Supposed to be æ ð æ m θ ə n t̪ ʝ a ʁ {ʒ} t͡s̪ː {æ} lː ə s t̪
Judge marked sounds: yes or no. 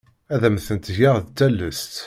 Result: no, yes

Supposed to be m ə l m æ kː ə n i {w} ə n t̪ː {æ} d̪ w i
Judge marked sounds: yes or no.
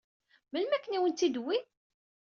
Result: yes, no

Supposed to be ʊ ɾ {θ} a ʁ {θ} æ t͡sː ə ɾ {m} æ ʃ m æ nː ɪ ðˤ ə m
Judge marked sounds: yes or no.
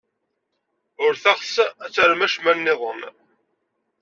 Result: yes, no, yes

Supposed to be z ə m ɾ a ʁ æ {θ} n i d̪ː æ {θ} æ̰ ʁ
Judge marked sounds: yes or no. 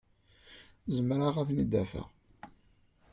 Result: yes, no

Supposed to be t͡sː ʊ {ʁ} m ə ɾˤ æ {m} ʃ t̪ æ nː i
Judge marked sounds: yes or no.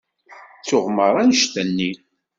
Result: yes, no

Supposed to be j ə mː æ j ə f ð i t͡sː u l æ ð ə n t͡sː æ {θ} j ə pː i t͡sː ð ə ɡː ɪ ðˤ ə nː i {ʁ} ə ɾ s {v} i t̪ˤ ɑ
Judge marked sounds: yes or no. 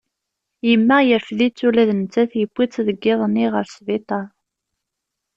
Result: yes, yes, yes

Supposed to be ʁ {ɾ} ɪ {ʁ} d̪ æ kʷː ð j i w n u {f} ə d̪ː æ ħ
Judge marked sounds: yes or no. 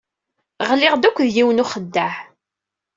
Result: no, yes, no

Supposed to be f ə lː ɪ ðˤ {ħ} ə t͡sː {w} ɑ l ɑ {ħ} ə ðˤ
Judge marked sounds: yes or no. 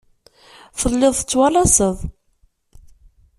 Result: no, yes, no

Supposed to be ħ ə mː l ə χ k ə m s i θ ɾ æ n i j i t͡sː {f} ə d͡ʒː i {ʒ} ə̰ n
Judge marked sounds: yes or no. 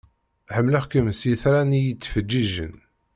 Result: yes, yes

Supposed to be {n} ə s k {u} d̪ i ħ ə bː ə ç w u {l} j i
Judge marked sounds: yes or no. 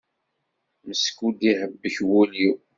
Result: no, yes, yes

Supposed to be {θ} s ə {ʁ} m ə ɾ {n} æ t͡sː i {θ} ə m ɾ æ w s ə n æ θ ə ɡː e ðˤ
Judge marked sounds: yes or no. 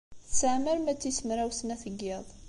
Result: yes, no, no, no

